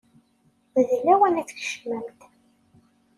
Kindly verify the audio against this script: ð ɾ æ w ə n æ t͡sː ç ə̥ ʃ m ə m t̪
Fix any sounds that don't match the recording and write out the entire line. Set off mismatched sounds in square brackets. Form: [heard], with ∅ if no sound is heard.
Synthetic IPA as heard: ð [l] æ w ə n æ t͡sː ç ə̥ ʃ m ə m t̪